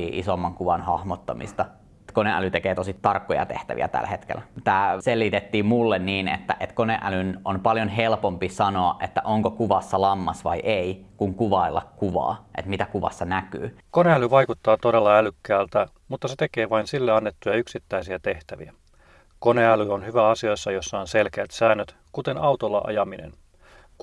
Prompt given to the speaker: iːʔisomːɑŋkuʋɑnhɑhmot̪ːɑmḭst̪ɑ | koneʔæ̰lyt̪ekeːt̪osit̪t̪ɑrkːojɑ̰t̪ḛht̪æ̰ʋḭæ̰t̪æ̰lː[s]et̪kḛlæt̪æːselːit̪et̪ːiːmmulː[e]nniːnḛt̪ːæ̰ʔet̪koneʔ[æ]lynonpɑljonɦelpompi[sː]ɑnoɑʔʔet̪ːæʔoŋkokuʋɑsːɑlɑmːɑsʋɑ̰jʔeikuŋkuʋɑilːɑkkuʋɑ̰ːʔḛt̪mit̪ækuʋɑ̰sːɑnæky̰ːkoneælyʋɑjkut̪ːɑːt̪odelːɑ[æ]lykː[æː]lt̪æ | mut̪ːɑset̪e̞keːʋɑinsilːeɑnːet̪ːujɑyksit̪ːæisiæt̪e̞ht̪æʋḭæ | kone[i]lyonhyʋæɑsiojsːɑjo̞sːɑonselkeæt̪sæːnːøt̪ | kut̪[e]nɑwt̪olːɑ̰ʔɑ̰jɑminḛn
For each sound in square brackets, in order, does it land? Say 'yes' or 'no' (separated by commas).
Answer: no, yes, yes, no, yes, yes, no, yes